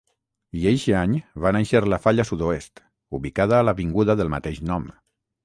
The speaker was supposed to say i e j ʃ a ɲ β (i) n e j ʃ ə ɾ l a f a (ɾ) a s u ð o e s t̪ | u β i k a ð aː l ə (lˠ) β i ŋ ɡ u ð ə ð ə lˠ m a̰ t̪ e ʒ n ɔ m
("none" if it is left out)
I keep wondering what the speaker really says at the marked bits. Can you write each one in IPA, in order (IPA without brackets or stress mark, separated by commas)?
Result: a, ʎ, none